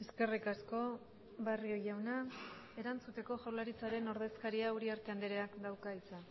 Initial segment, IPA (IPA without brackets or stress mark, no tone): e